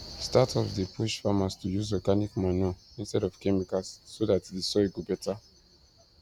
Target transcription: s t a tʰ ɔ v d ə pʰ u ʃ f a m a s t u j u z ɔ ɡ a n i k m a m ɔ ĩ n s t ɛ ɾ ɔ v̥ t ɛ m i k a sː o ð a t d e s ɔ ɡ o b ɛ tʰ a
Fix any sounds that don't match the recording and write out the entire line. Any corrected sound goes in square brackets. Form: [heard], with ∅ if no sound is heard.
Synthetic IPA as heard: s t a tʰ ɔ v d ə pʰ u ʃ f a m a s t u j u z ɔ ɡ a n i k m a [n] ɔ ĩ n s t ɛ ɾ ɔ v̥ [k] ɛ m i k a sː o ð a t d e s ɔ ɡ o b ɛ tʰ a